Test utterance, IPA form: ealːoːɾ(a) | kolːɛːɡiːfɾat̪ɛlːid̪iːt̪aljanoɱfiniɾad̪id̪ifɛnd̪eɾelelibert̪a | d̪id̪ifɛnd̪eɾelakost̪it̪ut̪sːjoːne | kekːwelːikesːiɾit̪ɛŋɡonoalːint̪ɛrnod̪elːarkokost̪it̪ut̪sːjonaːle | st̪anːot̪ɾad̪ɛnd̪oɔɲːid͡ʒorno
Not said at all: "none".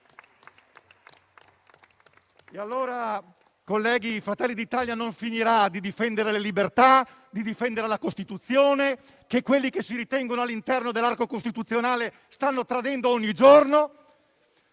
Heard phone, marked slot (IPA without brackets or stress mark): a